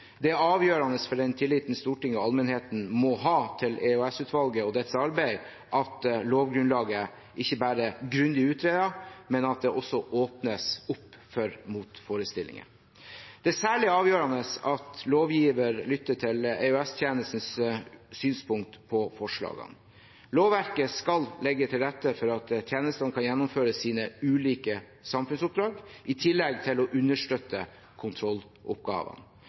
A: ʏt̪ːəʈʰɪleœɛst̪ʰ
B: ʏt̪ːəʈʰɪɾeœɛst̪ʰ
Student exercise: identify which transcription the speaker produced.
A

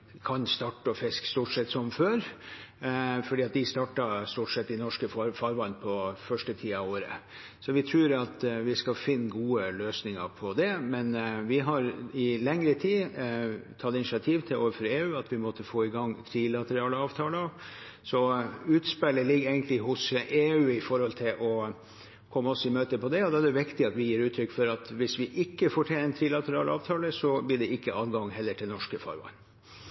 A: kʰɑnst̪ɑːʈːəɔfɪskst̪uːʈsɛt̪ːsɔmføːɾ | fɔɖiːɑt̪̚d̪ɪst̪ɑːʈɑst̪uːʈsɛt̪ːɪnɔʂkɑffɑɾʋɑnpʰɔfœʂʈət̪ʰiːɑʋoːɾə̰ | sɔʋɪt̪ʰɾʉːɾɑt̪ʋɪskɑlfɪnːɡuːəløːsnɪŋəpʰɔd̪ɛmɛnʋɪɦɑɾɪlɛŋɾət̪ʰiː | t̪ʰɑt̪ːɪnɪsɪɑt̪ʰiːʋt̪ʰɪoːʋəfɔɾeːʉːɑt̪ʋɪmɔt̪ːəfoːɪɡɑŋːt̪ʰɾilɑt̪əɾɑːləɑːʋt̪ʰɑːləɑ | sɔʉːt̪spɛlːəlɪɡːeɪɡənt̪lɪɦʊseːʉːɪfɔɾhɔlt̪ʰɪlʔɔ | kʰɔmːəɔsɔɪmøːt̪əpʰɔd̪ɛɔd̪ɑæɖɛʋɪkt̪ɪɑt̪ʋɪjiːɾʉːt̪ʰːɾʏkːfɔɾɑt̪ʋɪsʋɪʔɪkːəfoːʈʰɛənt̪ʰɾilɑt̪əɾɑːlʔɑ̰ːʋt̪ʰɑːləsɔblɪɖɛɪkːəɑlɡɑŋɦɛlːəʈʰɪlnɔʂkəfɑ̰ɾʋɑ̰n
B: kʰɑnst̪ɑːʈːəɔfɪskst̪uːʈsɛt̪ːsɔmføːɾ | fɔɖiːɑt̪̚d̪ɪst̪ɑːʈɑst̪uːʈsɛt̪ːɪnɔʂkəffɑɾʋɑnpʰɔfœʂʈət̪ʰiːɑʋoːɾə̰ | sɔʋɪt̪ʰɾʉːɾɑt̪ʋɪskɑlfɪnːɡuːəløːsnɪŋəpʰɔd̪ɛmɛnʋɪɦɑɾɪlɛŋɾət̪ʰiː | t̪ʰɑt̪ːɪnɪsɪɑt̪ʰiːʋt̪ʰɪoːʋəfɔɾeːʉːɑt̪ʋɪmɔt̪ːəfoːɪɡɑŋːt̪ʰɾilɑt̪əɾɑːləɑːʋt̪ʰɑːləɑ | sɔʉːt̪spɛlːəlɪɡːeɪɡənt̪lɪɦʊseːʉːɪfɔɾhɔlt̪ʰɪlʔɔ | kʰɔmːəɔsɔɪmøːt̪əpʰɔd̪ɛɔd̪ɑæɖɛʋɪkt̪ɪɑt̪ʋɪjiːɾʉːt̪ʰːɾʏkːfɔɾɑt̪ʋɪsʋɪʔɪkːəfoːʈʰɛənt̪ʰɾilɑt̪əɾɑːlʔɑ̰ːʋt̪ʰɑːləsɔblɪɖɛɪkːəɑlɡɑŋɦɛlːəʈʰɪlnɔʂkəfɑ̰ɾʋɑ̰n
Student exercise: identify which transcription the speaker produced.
B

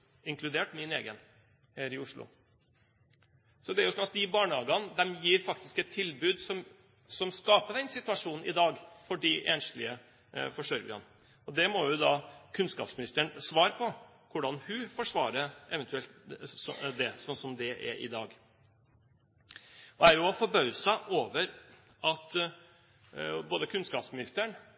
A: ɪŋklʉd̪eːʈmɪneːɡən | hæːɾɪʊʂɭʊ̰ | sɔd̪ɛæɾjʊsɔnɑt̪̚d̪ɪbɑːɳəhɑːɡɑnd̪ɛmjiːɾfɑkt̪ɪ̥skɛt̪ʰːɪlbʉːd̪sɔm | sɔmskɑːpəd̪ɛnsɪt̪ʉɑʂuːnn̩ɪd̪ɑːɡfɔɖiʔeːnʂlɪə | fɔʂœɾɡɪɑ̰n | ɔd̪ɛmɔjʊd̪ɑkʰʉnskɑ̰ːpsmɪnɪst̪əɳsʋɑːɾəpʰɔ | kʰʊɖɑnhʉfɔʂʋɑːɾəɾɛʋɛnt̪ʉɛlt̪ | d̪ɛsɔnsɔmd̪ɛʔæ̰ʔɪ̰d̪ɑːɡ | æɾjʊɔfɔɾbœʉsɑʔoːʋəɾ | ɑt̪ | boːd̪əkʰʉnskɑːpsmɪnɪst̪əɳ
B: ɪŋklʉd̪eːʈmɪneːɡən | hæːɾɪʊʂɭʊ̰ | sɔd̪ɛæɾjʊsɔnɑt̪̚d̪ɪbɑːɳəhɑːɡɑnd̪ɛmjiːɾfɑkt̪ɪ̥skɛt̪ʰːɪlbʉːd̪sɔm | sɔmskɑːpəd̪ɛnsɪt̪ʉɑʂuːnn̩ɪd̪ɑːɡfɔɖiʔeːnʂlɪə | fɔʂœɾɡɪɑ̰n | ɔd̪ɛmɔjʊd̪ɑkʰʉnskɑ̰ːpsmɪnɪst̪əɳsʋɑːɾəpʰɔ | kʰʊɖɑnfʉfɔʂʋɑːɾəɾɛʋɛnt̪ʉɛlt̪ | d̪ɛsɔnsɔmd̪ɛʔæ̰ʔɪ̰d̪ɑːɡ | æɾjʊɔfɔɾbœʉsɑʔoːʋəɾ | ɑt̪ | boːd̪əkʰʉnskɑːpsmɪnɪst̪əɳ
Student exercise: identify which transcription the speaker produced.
A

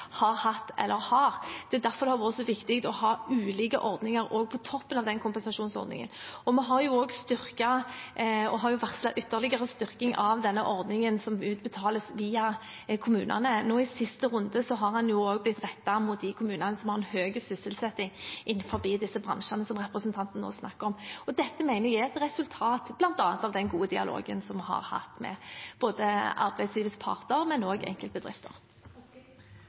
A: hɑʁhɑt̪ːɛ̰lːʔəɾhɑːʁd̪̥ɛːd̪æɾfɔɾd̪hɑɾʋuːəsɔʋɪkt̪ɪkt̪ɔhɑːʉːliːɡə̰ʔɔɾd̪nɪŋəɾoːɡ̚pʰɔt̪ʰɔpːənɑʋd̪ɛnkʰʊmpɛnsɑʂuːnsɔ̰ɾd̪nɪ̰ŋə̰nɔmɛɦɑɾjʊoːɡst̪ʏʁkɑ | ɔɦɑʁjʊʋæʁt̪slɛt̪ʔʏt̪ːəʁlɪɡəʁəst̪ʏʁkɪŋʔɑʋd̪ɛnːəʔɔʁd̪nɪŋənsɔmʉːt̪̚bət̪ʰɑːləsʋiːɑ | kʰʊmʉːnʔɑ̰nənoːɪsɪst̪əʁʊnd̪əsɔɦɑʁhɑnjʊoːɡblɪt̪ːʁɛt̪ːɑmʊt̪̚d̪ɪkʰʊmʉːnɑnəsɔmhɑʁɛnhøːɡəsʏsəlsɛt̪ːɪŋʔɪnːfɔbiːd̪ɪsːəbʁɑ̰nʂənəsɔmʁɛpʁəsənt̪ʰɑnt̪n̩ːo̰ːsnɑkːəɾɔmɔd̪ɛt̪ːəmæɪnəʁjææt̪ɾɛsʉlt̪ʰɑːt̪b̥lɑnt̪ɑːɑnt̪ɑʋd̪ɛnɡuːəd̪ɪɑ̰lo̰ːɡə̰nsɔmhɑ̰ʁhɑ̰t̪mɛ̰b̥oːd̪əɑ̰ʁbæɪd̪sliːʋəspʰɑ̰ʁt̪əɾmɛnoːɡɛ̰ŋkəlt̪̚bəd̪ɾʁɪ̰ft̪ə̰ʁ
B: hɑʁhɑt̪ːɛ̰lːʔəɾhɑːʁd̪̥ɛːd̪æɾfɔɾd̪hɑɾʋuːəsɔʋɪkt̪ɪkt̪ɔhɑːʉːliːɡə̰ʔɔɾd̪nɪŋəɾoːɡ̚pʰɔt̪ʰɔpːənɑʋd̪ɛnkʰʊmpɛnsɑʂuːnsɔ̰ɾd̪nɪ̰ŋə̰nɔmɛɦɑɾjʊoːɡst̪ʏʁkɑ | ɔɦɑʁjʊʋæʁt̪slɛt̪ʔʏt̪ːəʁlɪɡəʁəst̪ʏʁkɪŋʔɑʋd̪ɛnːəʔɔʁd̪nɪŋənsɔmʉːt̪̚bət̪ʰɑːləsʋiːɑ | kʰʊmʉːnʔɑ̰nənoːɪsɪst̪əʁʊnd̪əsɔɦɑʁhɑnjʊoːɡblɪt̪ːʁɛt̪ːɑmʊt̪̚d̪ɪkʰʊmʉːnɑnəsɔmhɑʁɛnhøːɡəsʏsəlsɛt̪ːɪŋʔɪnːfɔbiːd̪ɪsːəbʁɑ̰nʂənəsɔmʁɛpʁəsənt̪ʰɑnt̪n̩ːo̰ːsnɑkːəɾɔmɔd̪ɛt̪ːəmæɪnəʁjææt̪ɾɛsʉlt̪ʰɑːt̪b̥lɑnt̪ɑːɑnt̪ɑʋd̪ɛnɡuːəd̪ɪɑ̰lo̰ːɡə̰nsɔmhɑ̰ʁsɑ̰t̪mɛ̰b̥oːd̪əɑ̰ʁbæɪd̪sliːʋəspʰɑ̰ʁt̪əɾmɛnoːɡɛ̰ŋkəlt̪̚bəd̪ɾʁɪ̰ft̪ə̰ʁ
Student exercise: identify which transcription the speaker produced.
A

